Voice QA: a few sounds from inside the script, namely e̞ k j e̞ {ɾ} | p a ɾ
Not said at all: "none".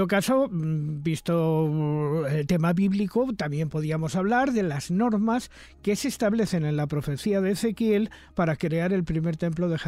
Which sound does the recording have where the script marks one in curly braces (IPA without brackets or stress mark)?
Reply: l